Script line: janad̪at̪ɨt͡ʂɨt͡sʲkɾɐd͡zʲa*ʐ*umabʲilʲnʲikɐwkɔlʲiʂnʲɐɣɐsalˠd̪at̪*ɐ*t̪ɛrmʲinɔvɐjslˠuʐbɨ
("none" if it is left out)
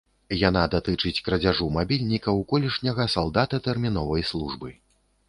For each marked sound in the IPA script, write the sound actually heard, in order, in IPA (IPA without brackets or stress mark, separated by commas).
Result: ʐ, ɐ